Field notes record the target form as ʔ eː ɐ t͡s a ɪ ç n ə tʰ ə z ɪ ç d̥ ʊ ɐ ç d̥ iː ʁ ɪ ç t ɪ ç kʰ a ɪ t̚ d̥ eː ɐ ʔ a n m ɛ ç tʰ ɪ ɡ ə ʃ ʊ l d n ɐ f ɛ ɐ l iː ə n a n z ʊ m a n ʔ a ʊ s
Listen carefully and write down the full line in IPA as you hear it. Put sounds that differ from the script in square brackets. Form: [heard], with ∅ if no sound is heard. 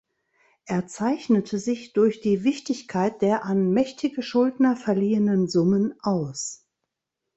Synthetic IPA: ʔ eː ɐ t͡s a ɪ ç n ə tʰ ə z ɪ ç d̥ ʊ ɐ ç d̥ iː [v] ɪ ç t ɪ ç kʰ a ɪ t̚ d̥ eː ɐ ʔ a n m ɛ ç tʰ ɪ ɡ ə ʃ ʊ l d n ɐ f ɛ ɐ l iː ə n [ə] n z ʊ m [ə] n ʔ a ʊ s